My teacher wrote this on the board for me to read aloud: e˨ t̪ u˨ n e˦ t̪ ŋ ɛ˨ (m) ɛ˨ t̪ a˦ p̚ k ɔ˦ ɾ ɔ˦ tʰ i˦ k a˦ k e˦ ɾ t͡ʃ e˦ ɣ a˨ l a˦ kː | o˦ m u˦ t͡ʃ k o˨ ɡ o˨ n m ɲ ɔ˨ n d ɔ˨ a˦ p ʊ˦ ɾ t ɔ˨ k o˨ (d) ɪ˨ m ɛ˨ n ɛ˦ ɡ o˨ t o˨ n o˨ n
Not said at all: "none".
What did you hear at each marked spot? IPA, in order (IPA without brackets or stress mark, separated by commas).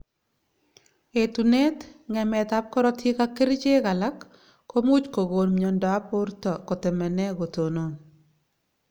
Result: m, t